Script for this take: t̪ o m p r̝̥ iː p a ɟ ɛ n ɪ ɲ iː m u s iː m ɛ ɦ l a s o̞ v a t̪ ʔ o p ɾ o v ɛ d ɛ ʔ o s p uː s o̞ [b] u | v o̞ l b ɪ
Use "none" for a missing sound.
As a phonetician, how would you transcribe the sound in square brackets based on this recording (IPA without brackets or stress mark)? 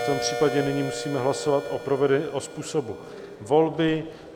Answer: b